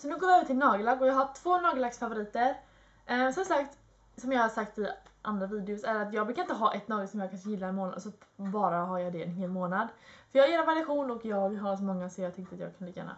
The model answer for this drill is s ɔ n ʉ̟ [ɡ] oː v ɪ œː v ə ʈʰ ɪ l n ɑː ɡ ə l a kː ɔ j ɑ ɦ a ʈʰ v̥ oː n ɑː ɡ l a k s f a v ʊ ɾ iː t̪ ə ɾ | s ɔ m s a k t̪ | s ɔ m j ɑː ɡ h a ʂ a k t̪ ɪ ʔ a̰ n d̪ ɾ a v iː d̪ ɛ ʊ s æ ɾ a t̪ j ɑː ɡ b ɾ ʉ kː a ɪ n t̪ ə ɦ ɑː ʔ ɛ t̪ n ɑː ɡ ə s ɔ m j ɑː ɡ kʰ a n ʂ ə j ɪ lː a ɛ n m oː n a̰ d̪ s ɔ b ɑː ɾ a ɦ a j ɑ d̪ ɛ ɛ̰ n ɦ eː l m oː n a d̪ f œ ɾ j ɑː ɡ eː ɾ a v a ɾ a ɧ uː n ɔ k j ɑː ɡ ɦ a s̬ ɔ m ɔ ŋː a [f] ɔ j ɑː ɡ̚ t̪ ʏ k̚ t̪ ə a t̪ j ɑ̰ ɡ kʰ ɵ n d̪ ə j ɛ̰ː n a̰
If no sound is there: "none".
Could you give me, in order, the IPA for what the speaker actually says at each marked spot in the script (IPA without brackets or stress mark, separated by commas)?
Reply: ɡ, s